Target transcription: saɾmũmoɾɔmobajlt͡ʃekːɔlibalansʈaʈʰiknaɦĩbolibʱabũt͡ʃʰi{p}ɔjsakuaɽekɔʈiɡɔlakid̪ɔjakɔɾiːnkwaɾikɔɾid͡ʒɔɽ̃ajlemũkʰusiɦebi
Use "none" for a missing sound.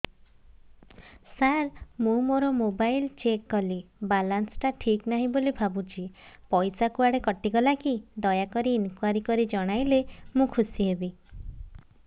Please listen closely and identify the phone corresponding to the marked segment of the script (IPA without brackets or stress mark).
p